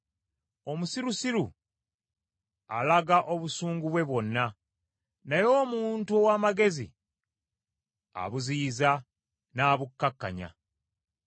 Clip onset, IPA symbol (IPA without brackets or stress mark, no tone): o̞